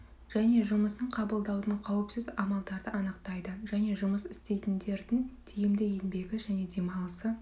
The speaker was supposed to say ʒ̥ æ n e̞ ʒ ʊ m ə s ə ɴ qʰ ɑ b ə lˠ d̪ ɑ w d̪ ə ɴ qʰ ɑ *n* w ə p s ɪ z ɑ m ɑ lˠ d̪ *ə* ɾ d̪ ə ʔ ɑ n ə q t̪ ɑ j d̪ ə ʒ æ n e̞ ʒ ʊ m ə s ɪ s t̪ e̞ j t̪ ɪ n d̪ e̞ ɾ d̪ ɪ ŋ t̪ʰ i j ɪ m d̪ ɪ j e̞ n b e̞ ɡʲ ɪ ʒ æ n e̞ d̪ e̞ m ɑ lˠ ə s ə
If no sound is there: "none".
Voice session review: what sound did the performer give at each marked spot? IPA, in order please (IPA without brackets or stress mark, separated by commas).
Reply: none, ɑ